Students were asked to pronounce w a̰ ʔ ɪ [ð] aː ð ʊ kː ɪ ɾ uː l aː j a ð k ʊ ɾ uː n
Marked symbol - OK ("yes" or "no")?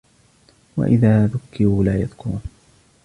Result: yes